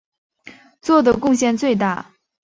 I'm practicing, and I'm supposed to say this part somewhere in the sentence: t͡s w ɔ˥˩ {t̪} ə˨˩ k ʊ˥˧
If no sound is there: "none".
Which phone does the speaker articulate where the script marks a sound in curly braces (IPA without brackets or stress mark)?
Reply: d̪